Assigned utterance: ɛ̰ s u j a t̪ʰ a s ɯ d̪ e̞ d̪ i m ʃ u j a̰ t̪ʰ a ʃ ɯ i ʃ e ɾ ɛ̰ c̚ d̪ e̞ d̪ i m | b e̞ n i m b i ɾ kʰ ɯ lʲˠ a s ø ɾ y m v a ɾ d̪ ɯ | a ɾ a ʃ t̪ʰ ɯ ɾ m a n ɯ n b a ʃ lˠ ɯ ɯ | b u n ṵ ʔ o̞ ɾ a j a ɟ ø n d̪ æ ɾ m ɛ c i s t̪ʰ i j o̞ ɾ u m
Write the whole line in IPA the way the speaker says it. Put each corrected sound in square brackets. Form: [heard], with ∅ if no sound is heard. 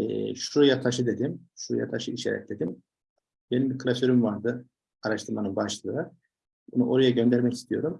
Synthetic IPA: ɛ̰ [ʃ] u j a t̪ʰ a [ʃ] ɯ d̪ e̞ d̪ i m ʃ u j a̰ t̪ʰ a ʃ ɯ i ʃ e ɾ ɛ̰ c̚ d̪ e̞ d̪ i m | b e̞ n i m b i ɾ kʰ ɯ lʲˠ a s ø ɾ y m v a ɾ d̪ ɯ | a ɾ a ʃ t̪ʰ ɯ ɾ m a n ɯ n b a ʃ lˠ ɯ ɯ | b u n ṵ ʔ o̞ ɾ a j a ɟ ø n d̪ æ ɾ m ɛ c i s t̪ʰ i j o̞ ɾ u m